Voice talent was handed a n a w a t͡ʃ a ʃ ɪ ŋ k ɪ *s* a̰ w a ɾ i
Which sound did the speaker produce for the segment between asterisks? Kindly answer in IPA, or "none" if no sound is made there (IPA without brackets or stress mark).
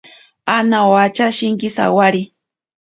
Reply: s